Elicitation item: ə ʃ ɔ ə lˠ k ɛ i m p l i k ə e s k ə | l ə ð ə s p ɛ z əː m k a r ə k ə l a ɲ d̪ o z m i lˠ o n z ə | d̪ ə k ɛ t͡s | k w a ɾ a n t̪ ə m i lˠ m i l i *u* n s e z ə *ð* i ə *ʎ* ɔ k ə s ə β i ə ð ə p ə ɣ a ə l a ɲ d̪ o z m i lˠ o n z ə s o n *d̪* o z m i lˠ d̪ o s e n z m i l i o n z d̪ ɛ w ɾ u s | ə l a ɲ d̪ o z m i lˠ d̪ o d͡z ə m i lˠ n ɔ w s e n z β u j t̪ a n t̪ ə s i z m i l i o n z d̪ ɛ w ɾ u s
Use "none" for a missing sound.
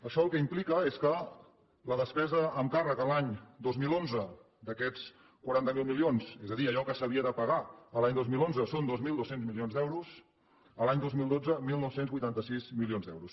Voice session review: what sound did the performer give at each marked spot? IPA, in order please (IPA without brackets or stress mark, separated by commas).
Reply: o, ð, ʎ, d̪